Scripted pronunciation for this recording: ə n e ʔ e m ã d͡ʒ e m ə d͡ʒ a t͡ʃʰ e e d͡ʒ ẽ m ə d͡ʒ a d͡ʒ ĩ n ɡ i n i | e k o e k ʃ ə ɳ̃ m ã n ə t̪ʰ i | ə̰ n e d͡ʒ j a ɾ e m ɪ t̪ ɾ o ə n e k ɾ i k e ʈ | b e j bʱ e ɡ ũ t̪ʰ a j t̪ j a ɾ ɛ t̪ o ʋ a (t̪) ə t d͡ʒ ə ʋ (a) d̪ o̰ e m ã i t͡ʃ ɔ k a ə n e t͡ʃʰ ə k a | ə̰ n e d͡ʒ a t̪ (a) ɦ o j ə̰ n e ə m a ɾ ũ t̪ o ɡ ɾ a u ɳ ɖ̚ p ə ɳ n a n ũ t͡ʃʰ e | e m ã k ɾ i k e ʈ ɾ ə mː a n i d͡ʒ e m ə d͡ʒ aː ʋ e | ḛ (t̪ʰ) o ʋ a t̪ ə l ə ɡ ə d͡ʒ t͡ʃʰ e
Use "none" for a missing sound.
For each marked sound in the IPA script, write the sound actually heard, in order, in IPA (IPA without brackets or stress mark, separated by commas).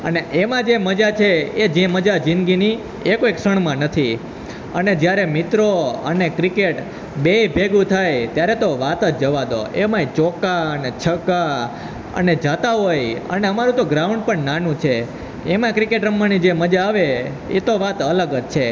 t̪, a, a, t̪